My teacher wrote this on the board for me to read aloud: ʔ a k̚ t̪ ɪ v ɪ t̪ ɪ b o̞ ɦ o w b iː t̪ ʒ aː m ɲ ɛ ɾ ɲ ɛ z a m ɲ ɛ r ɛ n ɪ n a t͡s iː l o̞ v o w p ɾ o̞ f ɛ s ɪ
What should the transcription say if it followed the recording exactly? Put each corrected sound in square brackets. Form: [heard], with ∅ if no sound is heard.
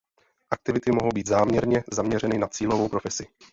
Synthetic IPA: ʔ a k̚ t̪ ɪ v ɪ t̪ ɪ [m] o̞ ɦ o w b iː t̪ [z] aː m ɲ ɛ ɾ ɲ ɛ z a m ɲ ɛ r ɛ n ɪ n a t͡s iː l o̞ v o w p ɾ o̞ f ɛ s ɪ